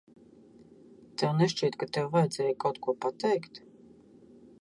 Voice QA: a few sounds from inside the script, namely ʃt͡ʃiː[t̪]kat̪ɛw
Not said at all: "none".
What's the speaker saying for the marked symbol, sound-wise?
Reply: t̪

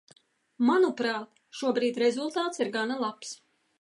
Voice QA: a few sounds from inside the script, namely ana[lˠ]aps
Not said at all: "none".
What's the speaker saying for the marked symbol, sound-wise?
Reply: lˠ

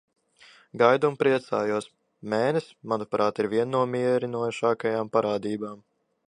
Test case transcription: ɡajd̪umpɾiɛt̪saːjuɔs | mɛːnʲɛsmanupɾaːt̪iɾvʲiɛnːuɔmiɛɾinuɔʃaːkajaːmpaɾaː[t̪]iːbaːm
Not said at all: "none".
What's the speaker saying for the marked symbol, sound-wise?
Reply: d̪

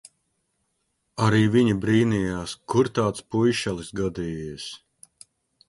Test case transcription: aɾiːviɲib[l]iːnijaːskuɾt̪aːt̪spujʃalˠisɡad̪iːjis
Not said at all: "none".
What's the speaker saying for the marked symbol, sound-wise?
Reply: ɾ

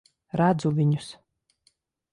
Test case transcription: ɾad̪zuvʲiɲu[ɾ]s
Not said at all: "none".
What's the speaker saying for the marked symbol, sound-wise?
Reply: none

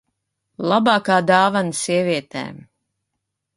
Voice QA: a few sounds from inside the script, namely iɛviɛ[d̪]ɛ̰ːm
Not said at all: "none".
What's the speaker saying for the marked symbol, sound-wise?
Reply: t̪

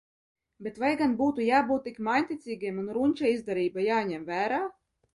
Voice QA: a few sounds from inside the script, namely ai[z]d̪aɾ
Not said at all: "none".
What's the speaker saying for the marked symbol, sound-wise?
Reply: z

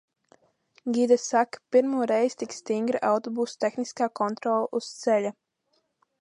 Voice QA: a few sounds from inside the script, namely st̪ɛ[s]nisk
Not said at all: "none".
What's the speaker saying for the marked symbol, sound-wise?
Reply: x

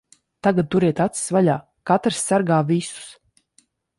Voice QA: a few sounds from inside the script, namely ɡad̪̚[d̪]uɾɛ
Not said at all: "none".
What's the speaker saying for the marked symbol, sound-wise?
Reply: t̪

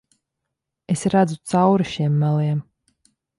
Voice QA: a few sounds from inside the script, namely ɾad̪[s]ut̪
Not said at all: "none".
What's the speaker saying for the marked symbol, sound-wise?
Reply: z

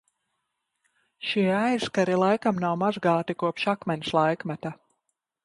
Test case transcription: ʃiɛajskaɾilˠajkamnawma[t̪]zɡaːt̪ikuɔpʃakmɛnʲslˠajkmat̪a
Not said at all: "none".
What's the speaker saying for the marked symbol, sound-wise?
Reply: none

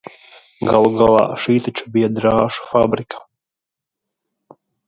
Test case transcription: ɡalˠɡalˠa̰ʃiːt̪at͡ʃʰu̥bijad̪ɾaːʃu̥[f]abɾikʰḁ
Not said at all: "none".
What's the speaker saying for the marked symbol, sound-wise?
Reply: f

